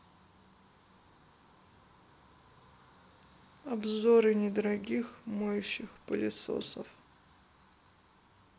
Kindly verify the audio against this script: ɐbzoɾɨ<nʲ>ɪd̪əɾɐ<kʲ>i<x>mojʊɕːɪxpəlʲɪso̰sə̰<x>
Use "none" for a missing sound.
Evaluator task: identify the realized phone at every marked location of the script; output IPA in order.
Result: nʲ, ɡʲ, x, f

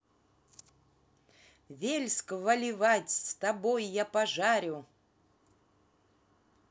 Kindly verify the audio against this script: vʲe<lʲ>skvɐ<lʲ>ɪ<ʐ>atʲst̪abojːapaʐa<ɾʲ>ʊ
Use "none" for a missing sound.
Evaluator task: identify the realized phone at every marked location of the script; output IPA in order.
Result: lʲ, lʲ, v, ɾʲ

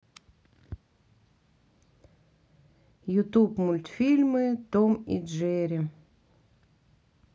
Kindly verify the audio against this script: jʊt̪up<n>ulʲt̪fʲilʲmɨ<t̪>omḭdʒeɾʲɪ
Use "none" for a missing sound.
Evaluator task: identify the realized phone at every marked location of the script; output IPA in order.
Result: m, t̪

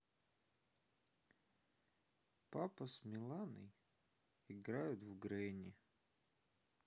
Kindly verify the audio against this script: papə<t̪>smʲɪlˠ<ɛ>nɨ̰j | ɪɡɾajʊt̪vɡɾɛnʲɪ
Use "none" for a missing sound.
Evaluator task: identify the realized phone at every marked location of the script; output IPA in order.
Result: none, a

